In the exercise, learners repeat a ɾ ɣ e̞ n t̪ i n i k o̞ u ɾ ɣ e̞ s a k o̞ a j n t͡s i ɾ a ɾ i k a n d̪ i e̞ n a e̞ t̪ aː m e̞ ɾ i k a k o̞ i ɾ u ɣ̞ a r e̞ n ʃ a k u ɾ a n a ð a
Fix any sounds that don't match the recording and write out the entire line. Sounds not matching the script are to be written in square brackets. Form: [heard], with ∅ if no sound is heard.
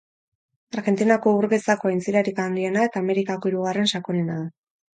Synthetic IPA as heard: a ɾ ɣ e̞ n t̪ i n [a] k o̞ u ɾ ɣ e̞ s a k o̞ a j n t͡s i ɾ a ɾ i k a n d̪ i e̞ n a e̞ t̪ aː m e̞ ɾ i k a k o̞ i ɾ u ɣ̞ a r e̞ n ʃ a k [o] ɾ [e] n a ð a